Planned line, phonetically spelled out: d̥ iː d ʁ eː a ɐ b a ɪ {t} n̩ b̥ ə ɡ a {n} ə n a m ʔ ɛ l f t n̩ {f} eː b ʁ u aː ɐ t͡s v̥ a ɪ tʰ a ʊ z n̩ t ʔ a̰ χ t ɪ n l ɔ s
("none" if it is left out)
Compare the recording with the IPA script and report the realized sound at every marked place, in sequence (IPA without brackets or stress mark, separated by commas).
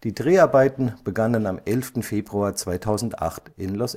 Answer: t, n, f